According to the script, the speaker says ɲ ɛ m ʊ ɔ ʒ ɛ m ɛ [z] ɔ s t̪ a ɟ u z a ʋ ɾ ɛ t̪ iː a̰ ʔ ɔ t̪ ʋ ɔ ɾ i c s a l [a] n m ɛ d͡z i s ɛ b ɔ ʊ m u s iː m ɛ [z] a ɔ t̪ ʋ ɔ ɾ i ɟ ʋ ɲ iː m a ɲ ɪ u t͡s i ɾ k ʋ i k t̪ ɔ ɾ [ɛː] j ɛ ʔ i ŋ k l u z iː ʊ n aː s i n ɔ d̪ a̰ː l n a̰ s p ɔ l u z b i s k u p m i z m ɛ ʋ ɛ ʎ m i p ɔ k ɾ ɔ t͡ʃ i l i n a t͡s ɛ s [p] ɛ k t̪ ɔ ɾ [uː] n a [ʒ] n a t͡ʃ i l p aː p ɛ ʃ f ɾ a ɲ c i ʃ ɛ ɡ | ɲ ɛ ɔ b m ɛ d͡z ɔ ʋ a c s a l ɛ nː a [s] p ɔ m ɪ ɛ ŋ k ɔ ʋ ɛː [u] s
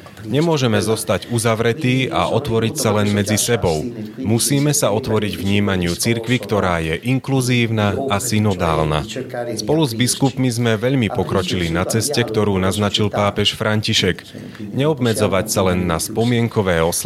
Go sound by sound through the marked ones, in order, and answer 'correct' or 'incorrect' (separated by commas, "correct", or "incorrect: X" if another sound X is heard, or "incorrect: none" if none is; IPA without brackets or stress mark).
correct, incorrect: ɛ, incorrect: s, incorrect: aː, incorrect: c, correct, incorrect: z, correct, incorrect: ɔ